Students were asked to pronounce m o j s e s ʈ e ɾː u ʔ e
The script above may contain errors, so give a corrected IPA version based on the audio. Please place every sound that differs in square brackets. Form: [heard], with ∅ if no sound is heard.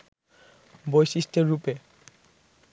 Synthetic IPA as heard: [b] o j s [i] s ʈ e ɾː u [p] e

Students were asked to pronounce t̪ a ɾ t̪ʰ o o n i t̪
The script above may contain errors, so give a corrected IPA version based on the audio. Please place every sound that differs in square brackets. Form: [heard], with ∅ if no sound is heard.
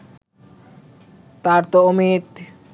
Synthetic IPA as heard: t̪ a ɾ [t̪] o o [m] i t̪

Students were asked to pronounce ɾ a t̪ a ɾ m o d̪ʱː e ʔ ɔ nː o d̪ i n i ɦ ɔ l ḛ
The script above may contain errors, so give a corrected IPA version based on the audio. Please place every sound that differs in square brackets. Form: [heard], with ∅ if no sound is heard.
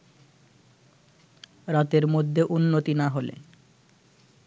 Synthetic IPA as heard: ɾ a t̪ [e] ɾ m o d̪ʱː e ʔ [u] nː o [t̪] i n [a] ɦ [o] l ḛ

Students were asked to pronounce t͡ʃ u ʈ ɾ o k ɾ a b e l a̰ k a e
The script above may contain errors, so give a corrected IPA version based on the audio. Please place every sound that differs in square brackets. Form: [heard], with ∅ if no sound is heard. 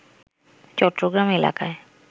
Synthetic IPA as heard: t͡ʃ [ɔ] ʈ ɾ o [ɡ] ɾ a [m] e l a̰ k a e

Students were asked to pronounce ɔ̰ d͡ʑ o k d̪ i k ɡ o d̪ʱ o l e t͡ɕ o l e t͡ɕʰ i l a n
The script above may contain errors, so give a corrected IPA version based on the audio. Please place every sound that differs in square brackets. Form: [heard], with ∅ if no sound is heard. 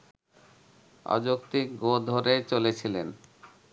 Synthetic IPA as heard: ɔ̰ d͡ʑ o k [t̪] i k ɡ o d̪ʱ o [ɾ] e t͡ɕ o l e t͡ɕʰ i l [e] n

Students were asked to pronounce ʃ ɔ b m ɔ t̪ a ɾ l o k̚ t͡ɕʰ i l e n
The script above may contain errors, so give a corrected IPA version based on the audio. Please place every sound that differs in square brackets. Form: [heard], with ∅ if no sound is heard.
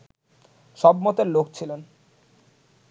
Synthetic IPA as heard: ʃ ɔ b m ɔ t̪ [e] ɾ l o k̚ t͡ɕʰ i l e n

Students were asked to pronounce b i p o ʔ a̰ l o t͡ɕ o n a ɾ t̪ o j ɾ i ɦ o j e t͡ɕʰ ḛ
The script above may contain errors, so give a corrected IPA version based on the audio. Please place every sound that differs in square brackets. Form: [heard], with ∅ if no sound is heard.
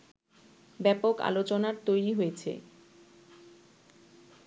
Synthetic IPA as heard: b [ɛ] p o [k] a̰ l o t͡ɕ o n a ɾ t̪ o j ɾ i ɦ o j e t͡ɕʰ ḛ

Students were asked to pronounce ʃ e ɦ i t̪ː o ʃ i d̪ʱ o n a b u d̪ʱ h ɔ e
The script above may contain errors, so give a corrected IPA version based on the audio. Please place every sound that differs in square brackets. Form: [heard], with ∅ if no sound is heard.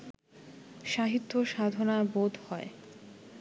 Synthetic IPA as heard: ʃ [a] ɦ i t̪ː o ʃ [a] d̪ʱ o n a b [o] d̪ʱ h ɔ e

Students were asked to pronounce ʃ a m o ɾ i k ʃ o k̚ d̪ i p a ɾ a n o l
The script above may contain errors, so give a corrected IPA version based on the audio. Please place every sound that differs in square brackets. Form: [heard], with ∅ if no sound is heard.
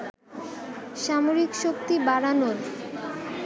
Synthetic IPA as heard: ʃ a m o ɾ i k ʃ o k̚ [t̪] i [b] a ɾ a n o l

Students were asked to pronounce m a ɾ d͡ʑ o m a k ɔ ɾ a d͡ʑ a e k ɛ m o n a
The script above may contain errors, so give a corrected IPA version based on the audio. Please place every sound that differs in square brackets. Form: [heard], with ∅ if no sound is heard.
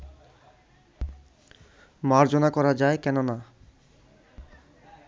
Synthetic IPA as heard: m a ɾ d͡ʑ o [n] a k ɔ ɾ a d͡ʑ a e k ɛ [n] o n a

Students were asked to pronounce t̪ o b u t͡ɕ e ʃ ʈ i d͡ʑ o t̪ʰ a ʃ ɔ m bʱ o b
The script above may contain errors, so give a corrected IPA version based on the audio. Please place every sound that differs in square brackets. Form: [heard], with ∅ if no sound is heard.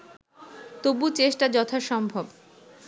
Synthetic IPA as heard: t̪ o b u t͡ɕ e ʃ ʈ [a] d͡ʑ [ɔ] t̪ʰ a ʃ ɔ m bʱ o b

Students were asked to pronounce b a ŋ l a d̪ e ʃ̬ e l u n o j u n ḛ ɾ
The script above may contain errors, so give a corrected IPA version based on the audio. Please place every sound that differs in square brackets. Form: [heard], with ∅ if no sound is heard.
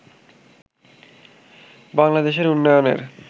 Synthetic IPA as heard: b a ŋ l a d̪ e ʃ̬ e [ɾ] u [nː] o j [o] n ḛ ɾ

